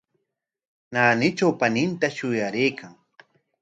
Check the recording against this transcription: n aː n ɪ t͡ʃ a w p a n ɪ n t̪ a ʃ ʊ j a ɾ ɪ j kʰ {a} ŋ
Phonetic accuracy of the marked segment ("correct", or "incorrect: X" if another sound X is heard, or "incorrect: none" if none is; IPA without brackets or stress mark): correct